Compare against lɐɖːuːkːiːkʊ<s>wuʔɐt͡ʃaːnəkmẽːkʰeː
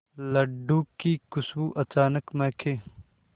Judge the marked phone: correct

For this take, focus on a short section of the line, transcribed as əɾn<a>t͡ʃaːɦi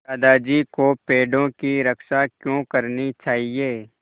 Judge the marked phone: incorrect: i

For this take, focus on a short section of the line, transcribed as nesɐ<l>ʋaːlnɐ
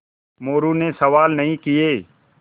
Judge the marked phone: incorrect: none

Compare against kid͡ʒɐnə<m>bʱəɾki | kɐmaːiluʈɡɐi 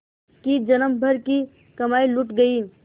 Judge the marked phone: correct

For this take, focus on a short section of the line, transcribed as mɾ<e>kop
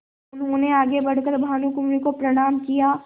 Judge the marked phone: incorrect: i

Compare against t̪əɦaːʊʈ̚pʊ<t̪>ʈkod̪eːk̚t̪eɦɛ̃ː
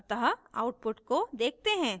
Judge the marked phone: incorrect: none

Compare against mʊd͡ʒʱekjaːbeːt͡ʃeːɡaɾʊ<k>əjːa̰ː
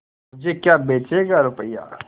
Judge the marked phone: incorrect: p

